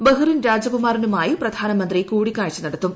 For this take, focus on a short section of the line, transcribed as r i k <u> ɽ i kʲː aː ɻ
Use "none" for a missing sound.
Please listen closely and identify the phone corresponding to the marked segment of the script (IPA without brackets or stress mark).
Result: uː